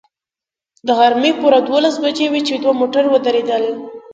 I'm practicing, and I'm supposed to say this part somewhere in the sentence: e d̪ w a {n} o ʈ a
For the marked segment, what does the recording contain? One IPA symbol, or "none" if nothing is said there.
m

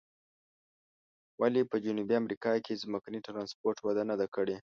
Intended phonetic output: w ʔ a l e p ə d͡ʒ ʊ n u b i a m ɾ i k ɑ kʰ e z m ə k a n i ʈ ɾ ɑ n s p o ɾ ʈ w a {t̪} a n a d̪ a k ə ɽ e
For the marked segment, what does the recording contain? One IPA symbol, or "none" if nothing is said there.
d̪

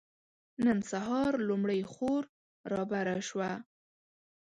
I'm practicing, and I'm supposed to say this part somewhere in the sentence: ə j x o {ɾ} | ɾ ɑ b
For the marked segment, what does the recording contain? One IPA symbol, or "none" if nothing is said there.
ɾ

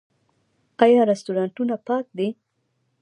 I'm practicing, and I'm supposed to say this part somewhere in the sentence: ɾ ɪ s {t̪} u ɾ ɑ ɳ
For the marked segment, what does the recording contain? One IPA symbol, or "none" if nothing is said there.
t̪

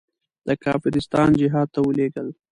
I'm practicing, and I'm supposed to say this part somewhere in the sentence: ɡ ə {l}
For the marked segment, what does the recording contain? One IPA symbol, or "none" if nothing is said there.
l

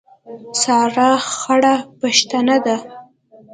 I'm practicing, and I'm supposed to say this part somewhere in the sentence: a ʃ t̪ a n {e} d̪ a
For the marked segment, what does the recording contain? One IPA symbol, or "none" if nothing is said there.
a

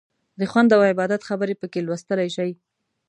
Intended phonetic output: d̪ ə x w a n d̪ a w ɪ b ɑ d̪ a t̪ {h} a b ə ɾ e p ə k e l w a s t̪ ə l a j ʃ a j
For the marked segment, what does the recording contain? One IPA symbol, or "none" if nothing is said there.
x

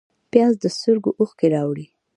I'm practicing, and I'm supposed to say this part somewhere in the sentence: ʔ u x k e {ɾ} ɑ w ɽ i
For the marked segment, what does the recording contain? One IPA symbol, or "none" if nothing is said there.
ɾ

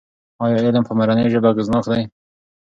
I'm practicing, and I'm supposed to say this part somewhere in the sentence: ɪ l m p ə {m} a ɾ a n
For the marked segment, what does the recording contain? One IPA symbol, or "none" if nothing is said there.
m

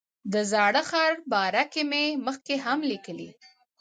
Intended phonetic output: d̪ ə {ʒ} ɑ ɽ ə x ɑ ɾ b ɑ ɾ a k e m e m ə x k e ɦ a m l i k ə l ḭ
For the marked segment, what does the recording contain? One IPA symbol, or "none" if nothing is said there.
z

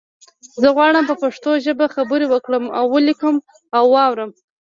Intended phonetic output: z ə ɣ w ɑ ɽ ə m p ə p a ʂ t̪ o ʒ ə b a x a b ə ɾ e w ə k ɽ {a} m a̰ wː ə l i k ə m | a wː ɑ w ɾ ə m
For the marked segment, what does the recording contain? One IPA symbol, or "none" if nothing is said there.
ə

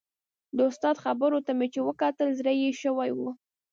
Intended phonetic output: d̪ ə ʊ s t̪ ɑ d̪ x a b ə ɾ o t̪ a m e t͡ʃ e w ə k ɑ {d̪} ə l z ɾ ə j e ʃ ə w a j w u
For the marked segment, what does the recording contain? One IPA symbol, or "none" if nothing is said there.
t̪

